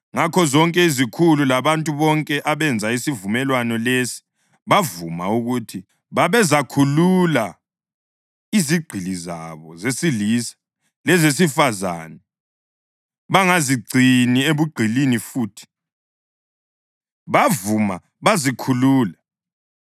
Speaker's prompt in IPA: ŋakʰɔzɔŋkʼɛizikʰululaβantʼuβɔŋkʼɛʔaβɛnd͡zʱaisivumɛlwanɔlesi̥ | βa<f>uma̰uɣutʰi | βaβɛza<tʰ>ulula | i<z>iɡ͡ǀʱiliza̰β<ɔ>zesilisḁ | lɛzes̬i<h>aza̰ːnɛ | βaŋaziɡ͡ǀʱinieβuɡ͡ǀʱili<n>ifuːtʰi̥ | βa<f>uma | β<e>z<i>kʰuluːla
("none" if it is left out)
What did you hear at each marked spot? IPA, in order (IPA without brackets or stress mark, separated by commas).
v, kʰ, z, ɔ, f, n, v, a, i